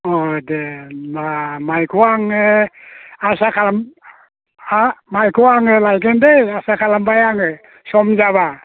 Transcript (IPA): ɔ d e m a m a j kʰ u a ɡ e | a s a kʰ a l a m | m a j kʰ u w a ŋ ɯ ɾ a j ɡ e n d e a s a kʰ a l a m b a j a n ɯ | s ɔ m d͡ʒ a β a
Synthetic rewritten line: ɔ d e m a m a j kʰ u a ŋ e | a s a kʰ a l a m | m a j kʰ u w a ŋ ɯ l a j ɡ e n d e a s a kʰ a l a m b a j a ŋ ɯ | s ɔ m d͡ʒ a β a

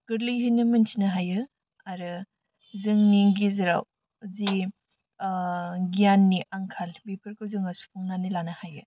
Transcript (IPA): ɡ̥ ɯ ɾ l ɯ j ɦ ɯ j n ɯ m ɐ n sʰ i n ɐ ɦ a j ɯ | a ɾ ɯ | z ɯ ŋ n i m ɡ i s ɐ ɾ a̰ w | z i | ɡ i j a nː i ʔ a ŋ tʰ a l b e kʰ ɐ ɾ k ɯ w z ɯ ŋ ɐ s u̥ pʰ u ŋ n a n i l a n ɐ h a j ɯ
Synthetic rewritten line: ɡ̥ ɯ ɾ l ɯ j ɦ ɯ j n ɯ m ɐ n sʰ i n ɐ ɦ a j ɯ | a ɾ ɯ | z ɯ ŋ n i ŋ ɡ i z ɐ ɾ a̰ w | z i | ɡ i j a nː i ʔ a ŋ kʰ a l b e pʰ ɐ ɾ k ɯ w z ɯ ŋ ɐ s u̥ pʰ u ŋ n a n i l a n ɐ h a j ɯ

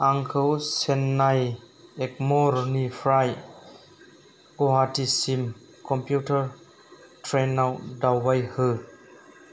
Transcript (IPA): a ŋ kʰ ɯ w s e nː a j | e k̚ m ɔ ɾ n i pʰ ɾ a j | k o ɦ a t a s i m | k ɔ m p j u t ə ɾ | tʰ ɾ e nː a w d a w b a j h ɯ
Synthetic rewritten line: a ŋ kʰ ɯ w s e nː a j | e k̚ m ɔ ɾ n i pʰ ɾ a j | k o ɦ a t i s i m | k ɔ m p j u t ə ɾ | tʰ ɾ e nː a w d a w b a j h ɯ

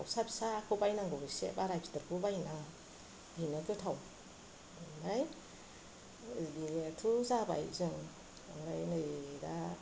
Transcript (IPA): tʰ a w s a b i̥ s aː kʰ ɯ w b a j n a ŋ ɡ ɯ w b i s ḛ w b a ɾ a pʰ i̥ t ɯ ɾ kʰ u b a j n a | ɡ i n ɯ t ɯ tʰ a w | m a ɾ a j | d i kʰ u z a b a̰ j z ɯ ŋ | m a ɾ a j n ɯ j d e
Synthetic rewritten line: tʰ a w s a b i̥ s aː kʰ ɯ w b a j n a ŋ ɡ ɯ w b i s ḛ b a ɾ a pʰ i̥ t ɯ ɾ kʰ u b a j n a | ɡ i n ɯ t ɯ tʰ a w | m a ɾ a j | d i tʰ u z a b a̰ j z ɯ ŋ | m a ɾ a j n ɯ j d a

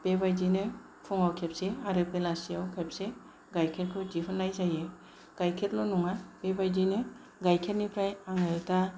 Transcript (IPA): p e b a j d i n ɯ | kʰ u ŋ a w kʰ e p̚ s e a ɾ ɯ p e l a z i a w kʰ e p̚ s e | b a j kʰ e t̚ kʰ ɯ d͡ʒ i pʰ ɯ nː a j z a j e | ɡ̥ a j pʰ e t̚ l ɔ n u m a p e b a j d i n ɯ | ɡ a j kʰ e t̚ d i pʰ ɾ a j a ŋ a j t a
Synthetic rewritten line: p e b a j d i n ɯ | pʰ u ŋ a w kʰ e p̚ s e a ɾ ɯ p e l a s i a w kʰ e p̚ s e | ɡ a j kʰ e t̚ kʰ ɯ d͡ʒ i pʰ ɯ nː a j z a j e | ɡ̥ a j kʰ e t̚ l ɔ n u ŋ a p e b a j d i n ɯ | ɡ a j kʰ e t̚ n i pʰ ɾ a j a ŋ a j t a

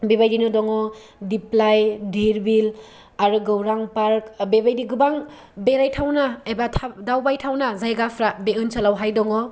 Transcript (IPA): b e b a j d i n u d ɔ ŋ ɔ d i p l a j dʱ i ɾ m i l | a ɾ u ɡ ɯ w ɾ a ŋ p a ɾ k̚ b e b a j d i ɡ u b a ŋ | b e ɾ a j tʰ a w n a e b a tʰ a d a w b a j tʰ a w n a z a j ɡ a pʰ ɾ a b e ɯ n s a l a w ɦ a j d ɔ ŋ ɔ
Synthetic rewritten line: b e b a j d i n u d ɔ ŋ ɔ d i p l a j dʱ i ɾ b i l | a ɾ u ɡ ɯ w ɾ a ŋ p a ɾ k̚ b e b a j d i ɡ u b a ŋ | b e ɾ a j tʰ a w n a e b a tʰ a d a w b a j tʰ a w n a z a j ɡ a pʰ ɾ a b e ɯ n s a l a w ɦ a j d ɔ ŋ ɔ

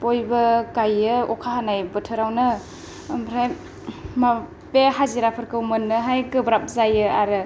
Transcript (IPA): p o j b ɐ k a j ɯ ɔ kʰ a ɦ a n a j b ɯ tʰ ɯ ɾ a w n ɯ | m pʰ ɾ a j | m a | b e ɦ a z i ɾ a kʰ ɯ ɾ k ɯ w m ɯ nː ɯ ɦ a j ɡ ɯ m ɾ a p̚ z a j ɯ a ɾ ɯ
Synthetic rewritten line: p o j b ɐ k a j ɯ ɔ kʰ a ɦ a n a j b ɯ tʰ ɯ ɾ a w n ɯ | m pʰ ɾ a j | m a | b e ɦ a z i ɾ a pʰ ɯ ɾ k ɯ w m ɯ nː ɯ ɦ a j ɡ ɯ b ɾ a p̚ z a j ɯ a ɾ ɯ

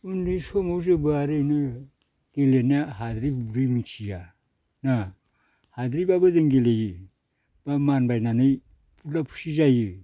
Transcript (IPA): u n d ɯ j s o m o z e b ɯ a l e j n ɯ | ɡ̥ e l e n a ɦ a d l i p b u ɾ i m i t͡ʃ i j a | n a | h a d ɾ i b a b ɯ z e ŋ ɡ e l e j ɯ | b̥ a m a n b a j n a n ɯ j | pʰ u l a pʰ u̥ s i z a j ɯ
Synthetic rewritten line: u n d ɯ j s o m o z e b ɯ a ɾ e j n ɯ | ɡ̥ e l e n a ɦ a d ɾ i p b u ɾ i m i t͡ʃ i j a | n a | h a d ɾ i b a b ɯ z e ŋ ɡ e l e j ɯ | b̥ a m a n b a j n a n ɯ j | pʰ u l a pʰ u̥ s i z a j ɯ

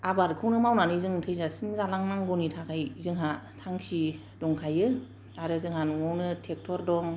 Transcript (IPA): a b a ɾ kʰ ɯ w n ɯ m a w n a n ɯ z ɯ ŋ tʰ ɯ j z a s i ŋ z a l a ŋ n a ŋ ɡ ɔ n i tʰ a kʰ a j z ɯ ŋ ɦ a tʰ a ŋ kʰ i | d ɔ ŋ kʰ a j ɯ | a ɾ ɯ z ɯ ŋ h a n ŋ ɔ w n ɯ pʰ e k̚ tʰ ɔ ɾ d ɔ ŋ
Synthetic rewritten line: a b a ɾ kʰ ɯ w n ɯ m a w n a n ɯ z ɯ ŋ tʰ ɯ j z a s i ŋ z a l a ŋ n a ŋ ɡ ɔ n i tʰ a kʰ a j z ɯ ŋ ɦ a tʰ a ŋ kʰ i | d ɔ ŋ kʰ a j ɯ | a ɾ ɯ z ɯ ŋ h a n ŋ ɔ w n ɯ tʰ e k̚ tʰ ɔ ɾ d ɔ ŋ

